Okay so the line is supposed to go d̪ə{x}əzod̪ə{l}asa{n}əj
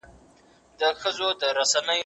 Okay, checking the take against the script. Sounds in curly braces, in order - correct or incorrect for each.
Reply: correct, incorrect, correct

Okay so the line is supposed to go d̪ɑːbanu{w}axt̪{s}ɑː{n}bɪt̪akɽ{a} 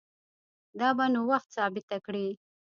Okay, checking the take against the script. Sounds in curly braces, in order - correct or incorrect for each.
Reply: correct, correct, incorrect, incorrect

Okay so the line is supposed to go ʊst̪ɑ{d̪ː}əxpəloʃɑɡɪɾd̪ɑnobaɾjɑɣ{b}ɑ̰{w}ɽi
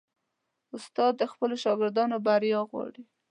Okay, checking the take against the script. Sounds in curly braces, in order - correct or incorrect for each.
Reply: correct, incorrect, incorrect

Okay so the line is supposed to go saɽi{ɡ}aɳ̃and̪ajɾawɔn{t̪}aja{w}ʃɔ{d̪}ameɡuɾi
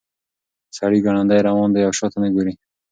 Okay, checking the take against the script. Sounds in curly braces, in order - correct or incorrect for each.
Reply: correct, incorrect, correct, incorrect

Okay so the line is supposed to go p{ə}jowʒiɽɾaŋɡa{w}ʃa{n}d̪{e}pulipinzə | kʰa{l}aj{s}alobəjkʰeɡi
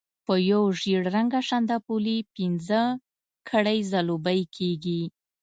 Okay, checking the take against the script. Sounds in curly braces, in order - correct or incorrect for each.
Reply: correct, incorrect, correct, incorrect, incorrect, incorrect

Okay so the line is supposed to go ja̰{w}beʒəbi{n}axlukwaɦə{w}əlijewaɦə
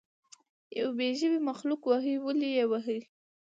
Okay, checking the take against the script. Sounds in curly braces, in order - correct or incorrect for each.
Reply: correct, incorrect, correct

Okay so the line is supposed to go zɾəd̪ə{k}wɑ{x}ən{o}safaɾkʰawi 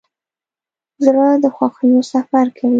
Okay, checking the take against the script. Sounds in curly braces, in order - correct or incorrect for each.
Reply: incorrect, correct, correct

